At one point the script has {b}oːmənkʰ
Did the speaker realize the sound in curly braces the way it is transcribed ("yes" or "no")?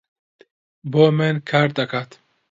yes